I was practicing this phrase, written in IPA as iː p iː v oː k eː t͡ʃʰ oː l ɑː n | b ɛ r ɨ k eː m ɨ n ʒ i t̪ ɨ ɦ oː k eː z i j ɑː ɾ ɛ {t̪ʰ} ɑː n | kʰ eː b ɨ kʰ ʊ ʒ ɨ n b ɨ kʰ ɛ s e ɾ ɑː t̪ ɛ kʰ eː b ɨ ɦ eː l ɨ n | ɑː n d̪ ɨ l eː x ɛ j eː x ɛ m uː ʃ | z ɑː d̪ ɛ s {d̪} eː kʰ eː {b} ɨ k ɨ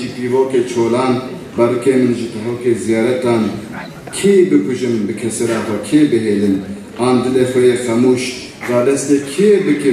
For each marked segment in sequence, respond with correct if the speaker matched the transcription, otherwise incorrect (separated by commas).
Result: incorrect, incorrect, correct